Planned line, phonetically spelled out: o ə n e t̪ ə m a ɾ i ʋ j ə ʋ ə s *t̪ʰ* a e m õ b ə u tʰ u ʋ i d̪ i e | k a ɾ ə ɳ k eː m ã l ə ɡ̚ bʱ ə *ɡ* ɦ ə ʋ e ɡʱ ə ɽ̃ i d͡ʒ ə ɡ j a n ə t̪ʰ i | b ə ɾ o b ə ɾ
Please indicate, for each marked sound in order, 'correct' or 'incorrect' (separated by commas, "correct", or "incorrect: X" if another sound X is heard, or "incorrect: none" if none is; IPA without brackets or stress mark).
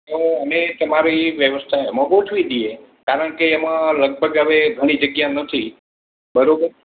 correct, correct